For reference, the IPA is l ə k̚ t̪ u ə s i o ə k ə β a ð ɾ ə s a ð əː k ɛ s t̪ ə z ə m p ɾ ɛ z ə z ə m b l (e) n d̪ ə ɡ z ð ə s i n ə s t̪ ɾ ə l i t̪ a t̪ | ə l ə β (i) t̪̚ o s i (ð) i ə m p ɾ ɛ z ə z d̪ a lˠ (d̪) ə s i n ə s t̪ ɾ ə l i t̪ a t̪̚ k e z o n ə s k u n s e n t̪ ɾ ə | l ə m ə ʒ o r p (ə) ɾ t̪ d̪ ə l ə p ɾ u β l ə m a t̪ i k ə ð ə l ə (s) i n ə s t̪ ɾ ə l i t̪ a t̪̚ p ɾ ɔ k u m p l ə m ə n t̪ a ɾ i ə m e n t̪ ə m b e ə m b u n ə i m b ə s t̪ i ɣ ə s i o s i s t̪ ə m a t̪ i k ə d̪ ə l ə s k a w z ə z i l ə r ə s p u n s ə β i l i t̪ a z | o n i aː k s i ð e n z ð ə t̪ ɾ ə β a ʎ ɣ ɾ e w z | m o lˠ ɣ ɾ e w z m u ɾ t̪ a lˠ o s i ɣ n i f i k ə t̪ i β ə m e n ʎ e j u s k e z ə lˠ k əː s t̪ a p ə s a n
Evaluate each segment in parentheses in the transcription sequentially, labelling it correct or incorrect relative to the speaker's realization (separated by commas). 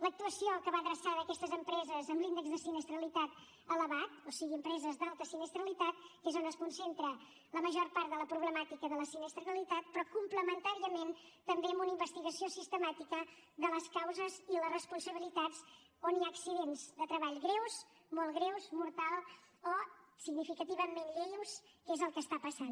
incorrect, incorrect, incorrect, incorrect, incorrect, correct